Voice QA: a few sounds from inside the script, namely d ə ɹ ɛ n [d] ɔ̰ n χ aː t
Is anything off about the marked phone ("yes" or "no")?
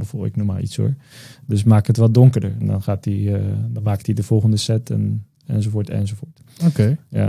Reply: no